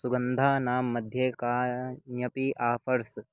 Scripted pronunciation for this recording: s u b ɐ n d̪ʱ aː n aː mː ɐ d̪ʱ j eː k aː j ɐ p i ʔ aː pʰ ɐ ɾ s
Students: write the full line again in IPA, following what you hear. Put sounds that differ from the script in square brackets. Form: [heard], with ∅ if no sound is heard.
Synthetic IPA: s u [ɡ] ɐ n d̪ʱ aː n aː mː ɐ d̪ʱ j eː k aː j ɐ p i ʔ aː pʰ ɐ ɾ s